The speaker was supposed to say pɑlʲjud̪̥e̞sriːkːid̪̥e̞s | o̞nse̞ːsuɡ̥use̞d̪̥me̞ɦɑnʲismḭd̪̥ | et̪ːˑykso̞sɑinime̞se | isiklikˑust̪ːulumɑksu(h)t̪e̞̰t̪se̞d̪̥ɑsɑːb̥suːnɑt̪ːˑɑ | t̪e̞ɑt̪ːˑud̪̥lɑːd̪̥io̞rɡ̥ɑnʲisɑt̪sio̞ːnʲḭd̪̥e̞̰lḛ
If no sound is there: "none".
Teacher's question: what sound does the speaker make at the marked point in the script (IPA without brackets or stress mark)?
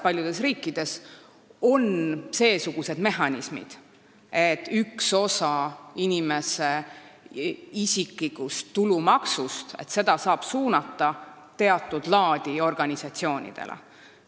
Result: s